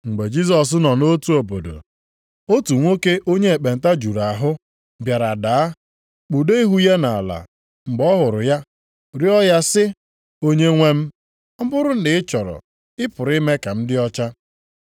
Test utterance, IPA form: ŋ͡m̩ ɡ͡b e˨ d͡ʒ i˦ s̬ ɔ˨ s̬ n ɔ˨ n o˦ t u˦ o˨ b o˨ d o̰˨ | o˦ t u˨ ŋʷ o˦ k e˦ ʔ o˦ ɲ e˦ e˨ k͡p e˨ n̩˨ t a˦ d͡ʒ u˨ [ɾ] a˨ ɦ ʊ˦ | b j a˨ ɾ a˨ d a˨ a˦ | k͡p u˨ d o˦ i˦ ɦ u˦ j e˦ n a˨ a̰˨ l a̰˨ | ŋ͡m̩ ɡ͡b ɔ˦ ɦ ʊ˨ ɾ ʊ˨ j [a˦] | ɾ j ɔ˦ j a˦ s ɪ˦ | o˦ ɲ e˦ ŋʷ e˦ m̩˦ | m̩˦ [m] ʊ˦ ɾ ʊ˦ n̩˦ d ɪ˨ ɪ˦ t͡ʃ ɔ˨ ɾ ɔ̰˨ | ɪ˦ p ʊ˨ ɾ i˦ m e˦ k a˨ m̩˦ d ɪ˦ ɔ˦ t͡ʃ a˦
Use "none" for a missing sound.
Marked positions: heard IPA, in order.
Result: ɾ, a˦, b

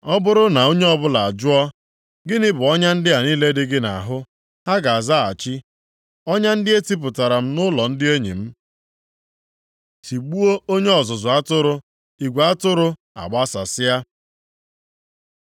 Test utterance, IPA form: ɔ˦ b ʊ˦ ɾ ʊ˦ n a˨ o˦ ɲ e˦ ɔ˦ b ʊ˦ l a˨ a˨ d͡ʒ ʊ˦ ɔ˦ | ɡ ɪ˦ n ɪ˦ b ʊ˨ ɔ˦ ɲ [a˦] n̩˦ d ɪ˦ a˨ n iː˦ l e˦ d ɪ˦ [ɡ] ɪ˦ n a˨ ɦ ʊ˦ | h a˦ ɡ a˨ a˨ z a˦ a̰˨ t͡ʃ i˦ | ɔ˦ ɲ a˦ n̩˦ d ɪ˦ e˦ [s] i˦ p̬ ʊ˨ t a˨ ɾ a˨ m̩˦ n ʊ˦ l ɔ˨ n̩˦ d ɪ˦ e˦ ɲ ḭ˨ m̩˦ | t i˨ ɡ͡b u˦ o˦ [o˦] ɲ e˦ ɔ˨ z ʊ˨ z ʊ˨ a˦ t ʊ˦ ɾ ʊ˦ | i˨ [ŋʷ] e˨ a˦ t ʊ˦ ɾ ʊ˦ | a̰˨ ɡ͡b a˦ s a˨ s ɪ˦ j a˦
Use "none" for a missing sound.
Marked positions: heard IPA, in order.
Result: a˦, ɡ, t, o˦, ɡʷ

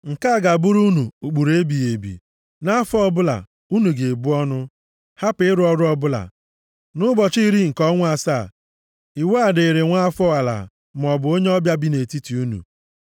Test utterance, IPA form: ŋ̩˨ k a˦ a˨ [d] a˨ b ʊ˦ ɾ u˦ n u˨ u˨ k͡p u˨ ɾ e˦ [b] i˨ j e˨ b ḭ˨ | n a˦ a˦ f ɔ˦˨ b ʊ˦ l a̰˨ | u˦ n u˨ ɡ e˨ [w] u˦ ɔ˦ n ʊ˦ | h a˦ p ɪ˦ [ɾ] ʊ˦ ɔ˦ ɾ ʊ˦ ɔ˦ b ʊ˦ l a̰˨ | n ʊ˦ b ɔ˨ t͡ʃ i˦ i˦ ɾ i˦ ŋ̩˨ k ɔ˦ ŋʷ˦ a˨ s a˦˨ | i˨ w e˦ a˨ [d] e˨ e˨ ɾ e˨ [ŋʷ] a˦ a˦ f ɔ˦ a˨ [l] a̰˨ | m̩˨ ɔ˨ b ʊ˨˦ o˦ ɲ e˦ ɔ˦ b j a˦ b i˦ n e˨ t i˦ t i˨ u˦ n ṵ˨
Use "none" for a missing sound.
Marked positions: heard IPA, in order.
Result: ɡ, b, b, ɾ, d, ŋʷ, l

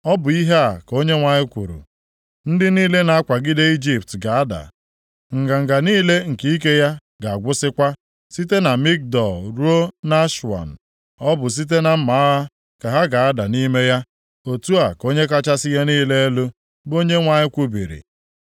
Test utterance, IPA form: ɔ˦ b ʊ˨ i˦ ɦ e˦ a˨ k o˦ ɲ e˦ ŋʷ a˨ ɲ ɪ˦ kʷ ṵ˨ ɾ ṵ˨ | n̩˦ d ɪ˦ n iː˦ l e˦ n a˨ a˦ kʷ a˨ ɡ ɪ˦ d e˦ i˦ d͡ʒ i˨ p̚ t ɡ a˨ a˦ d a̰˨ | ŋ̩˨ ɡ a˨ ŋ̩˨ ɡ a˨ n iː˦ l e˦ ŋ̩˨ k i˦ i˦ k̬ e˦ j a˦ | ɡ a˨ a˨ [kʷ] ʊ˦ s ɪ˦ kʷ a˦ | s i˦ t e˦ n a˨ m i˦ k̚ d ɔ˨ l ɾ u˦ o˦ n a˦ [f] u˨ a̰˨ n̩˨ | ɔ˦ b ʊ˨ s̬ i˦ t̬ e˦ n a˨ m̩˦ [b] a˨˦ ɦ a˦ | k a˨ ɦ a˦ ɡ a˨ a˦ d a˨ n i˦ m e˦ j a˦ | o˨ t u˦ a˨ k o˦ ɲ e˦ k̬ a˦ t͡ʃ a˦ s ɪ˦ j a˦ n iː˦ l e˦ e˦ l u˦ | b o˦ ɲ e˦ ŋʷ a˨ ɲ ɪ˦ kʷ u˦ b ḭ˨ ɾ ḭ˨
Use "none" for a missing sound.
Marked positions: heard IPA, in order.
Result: ɡʷ, ʃ, m

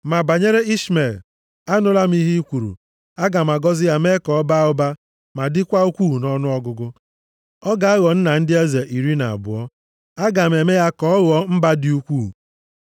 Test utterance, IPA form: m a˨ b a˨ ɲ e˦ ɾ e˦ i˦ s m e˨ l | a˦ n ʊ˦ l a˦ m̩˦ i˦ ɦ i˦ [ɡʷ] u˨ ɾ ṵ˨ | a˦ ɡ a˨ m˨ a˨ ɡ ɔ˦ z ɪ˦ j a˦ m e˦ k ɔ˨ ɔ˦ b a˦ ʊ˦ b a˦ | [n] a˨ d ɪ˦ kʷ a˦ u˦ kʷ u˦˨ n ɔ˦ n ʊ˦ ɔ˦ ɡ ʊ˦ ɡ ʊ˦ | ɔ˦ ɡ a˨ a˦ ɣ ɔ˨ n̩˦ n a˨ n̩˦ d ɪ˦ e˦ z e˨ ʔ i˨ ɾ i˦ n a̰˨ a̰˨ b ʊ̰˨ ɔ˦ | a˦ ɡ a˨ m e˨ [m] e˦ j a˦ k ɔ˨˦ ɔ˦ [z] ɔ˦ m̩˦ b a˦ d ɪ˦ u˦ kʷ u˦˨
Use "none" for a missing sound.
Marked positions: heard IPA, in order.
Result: kʷ, m, m, ɣ

